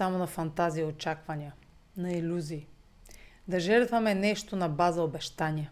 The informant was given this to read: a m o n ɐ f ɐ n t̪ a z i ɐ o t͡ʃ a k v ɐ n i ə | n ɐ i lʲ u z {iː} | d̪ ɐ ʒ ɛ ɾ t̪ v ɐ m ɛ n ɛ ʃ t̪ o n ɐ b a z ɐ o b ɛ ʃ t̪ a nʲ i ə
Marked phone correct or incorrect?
correct